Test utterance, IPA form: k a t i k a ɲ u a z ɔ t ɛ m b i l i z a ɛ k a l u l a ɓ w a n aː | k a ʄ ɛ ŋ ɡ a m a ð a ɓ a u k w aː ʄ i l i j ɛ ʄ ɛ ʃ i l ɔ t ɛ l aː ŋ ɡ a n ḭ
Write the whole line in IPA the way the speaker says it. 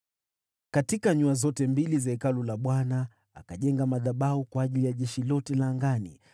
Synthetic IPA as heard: k a t i k a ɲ u a z ɔ t ɛ m b i l i z a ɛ k a l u l a ɓ w a n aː | k a ʄ ɛ ŋ ɡ a m a ð a ɓ a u k w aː ʄ i l i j a ʄ ɛ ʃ i l ɔ t ɛ l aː ŋ ɡ a n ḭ